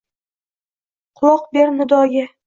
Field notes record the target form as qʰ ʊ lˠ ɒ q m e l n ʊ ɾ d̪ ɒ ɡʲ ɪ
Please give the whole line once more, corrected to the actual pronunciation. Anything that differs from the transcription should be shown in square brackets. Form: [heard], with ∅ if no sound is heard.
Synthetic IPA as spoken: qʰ ʊ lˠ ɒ q [b] e [ɾ] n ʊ [∅] d̪ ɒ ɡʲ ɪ